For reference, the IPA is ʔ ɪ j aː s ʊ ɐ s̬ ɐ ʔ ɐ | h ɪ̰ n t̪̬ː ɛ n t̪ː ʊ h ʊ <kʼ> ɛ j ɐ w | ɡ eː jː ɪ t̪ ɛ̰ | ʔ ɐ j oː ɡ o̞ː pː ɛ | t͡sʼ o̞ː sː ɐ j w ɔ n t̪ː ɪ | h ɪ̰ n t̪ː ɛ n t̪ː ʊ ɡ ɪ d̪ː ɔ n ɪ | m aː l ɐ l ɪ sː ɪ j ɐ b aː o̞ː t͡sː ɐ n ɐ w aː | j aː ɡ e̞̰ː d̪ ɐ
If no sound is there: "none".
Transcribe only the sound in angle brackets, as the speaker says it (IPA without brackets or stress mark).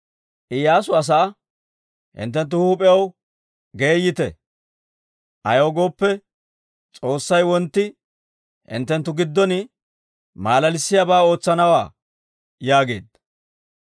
pʼ